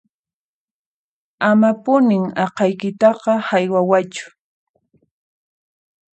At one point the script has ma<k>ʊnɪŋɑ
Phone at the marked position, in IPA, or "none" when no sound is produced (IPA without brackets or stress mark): p